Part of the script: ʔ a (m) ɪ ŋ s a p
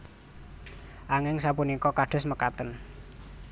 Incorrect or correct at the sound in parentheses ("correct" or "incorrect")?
incorrect